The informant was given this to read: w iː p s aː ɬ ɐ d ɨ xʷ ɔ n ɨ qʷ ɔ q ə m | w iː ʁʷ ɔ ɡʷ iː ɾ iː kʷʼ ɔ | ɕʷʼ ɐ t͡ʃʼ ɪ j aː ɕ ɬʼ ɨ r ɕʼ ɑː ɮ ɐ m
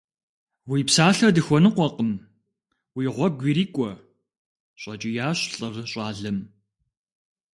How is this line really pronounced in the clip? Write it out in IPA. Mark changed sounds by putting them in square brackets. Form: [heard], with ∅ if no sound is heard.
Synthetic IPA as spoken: w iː p s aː ɬ ɐ d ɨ xʷ ɔ n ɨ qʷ ɔ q ə m | w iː ʁʷ ɔ ɡʷ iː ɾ iː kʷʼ ɔ | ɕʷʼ ɐ t͡ʃʼ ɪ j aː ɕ ɬʼ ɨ r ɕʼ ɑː ɮ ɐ m